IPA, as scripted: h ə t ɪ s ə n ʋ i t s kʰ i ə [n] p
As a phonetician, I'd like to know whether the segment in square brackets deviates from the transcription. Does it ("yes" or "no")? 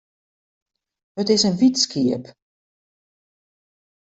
yes